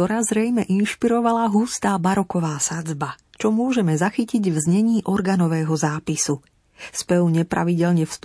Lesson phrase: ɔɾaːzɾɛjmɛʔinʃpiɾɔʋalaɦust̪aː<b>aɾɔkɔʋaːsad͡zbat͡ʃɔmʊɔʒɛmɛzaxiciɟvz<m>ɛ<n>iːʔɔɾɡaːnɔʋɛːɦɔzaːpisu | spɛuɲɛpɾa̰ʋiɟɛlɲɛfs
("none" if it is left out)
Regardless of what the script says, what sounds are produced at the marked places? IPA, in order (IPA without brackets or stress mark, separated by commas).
b, ɲ, ɲ